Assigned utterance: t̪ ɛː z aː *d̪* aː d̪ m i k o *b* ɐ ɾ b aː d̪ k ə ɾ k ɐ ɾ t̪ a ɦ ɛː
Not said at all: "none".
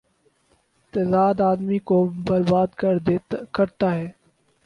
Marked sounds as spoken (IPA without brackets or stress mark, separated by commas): d̪, b